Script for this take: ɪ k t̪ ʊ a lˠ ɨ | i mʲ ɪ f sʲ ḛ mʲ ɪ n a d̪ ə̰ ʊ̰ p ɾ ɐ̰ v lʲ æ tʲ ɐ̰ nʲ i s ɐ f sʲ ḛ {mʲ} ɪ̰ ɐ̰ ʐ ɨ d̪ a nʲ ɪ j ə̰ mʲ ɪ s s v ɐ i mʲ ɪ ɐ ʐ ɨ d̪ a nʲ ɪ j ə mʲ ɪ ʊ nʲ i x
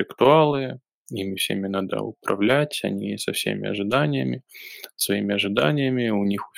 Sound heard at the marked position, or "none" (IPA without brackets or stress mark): mʲ